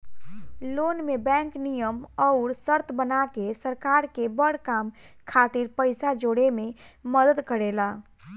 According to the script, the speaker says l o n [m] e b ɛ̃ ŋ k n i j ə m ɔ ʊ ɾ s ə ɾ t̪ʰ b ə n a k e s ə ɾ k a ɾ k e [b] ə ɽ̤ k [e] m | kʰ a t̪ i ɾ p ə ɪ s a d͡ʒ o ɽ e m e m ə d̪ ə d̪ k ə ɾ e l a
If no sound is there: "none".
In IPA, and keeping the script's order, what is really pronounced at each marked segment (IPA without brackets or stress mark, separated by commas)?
m, b, a